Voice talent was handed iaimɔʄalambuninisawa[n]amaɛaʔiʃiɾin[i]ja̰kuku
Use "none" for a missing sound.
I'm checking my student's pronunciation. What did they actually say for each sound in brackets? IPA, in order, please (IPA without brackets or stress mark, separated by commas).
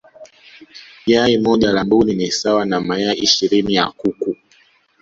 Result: n, i